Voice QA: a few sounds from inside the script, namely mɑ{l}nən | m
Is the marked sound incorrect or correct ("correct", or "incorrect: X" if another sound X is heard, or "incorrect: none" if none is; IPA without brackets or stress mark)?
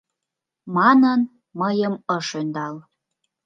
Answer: incorrect: none